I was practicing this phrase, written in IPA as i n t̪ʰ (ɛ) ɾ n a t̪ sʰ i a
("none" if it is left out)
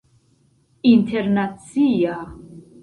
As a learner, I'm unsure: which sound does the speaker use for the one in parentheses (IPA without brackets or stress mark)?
ɛ